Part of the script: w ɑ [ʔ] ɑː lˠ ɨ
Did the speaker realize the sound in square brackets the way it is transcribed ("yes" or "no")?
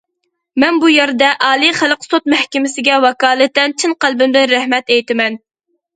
no